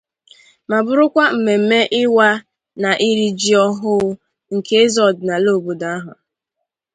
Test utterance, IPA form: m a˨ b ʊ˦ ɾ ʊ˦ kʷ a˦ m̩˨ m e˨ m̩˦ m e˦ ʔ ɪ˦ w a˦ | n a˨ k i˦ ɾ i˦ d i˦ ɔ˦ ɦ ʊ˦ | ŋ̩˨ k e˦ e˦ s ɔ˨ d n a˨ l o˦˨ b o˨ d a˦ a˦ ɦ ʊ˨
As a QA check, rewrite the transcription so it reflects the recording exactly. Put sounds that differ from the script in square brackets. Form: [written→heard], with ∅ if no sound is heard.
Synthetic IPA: m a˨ b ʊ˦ ɾ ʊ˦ kʷ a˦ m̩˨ m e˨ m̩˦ m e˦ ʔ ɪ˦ w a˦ | n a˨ [k→ʔ] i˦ ɾ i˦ [d→d͡ʒ] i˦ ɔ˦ ɦ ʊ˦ | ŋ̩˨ k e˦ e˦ [s→z] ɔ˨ d n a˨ l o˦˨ b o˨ d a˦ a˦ ɦ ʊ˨